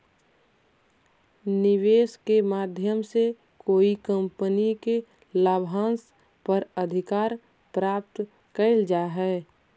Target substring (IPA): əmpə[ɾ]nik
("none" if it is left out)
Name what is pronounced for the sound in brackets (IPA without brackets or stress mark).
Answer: none